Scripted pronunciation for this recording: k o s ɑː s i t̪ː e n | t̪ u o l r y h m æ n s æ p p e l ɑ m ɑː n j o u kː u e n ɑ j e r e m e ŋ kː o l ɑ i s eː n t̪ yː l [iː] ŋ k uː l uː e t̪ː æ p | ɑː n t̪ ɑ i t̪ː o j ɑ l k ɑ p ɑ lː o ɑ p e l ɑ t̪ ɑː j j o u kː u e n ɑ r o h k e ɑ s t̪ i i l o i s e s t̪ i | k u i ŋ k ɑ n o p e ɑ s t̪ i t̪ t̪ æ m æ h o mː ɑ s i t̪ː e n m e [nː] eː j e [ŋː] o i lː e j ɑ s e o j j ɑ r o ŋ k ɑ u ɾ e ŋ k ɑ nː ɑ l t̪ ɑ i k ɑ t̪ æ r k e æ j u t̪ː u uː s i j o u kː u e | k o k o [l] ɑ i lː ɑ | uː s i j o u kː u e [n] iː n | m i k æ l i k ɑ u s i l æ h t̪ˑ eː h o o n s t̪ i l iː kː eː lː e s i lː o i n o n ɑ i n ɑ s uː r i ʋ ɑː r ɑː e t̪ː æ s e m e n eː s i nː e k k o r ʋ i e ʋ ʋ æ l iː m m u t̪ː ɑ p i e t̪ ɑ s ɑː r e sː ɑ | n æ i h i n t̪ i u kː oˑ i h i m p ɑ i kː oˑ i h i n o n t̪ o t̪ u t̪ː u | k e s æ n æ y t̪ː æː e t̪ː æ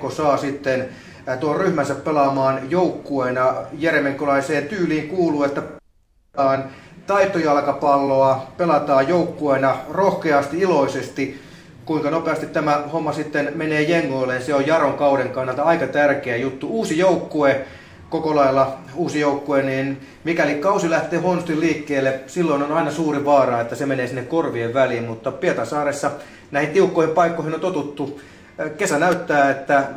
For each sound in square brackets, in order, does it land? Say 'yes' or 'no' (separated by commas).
yes, no, yes, yes, yes